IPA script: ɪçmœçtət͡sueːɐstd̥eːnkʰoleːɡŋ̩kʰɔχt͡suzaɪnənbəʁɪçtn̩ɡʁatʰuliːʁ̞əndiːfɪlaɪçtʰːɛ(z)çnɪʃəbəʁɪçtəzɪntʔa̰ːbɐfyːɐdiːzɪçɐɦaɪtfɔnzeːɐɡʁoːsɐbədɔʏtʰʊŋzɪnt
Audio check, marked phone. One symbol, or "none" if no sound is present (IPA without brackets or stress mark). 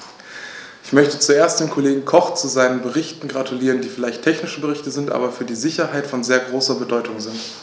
none